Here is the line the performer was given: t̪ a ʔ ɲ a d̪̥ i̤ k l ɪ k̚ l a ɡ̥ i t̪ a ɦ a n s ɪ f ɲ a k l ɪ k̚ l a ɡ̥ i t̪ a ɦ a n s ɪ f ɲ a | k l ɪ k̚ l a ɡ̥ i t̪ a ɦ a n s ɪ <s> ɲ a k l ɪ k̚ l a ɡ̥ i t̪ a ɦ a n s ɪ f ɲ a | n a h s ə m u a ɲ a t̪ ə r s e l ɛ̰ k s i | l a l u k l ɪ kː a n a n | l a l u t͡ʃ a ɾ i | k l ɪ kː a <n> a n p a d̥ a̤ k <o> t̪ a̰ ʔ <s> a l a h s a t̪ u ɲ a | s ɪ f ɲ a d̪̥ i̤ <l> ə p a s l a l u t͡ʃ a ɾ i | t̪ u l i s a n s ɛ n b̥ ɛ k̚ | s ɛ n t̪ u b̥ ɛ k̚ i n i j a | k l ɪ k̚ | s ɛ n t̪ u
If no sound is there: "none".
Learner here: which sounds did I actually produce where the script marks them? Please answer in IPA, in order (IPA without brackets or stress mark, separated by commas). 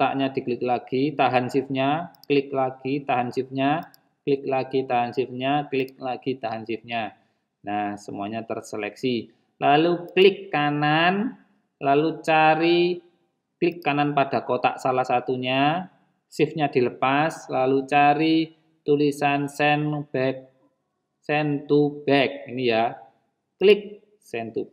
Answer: f, n, o, s, l